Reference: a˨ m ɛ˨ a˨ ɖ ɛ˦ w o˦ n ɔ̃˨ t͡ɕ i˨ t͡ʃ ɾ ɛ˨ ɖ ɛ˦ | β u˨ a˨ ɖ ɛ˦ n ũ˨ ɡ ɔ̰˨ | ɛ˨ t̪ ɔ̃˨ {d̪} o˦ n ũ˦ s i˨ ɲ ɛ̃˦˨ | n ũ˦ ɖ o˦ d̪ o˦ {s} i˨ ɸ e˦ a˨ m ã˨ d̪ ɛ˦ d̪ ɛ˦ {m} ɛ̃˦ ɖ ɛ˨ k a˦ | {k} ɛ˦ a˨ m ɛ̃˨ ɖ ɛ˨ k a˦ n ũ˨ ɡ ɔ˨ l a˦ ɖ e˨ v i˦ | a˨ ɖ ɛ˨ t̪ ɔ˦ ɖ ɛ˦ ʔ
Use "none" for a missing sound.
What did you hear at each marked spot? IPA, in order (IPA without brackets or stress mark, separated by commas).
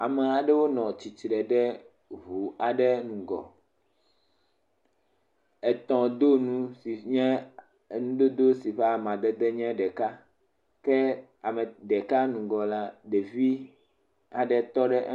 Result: d̪, s, ɲ, k